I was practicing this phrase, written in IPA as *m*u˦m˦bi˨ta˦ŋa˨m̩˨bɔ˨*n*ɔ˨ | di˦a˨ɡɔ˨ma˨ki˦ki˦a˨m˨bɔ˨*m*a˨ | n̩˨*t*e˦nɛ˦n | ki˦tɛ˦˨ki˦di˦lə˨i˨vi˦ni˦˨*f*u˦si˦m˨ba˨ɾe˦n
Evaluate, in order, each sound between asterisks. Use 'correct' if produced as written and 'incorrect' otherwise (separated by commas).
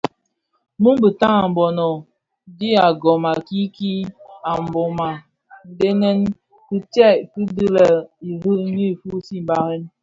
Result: correct, correct, correct, incorrect, correct